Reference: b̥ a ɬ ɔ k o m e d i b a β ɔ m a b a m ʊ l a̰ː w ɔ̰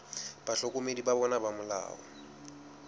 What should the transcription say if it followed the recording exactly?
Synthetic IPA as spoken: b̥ a ɬ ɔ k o m e d i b a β ɔ n a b a m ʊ l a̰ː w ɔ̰